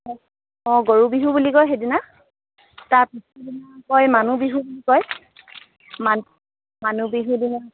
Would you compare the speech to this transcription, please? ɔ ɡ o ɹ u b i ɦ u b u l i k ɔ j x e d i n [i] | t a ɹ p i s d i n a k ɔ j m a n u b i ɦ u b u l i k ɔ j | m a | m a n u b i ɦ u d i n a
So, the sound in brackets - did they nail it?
no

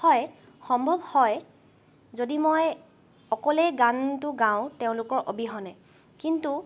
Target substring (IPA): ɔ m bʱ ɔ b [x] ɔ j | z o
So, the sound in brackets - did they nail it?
no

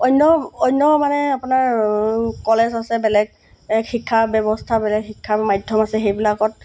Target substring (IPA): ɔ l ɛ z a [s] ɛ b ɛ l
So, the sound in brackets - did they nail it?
yes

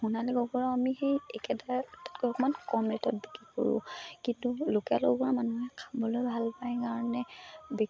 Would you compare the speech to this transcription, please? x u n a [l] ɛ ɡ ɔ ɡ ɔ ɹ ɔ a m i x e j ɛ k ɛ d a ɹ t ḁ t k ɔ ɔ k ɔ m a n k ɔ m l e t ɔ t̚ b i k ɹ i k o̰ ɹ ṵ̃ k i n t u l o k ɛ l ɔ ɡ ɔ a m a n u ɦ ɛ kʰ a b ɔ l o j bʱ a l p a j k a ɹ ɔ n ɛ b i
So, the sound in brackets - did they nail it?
yes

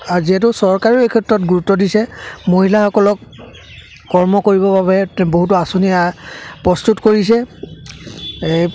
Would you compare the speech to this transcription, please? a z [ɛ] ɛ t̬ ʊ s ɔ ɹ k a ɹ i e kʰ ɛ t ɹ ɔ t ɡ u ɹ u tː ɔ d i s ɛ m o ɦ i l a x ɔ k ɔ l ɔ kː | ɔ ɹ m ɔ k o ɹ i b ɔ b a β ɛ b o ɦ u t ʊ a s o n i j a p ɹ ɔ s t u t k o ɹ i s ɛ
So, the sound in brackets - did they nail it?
no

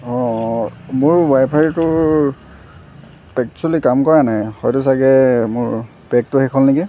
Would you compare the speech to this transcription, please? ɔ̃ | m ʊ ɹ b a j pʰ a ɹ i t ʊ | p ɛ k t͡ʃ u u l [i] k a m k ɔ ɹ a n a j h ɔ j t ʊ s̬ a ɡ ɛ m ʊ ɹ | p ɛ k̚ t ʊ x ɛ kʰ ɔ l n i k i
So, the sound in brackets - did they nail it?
yes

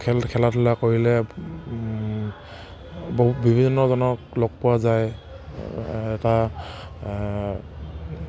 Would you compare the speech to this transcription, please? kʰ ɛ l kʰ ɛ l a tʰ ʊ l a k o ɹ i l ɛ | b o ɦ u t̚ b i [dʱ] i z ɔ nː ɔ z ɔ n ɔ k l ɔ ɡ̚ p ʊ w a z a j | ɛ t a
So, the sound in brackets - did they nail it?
no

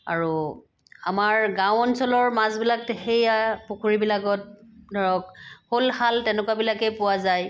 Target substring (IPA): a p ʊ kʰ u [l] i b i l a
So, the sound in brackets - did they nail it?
no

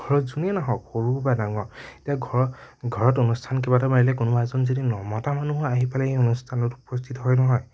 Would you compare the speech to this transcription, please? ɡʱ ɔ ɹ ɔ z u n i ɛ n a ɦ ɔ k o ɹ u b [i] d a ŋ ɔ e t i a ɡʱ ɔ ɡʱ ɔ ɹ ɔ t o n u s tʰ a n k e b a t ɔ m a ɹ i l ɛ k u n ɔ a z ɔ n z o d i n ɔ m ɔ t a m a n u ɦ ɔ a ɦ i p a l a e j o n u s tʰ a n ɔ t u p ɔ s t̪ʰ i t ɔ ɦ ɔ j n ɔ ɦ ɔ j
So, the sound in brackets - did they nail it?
no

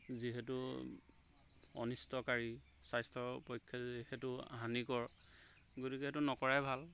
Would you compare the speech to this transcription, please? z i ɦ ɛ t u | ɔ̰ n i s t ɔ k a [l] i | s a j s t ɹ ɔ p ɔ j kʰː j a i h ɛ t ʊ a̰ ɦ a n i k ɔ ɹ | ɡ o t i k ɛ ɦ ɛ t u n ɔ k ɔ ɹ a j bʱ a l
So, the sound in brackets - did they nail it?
no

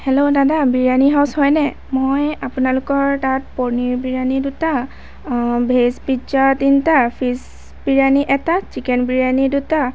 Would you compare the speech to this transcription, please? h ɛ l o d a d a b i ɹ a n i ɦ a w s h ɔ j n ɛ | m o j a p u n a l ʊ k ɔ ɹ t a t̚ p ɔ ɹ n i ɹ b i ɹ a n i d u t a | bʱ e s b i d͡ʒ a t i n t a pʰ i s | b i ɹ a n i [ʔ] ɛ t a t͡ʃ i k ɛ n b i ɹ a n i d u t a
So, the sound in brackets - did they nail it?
yes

